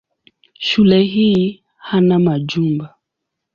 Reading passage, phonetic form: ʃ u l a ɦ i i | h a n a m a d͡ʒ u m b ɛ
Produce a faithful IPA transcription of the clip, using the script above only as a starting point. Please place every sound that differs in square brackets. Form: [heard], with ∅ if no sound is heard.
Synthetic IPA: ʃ u l [ɛ] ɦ i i | h a n a m a d͡ʒ u m b [a]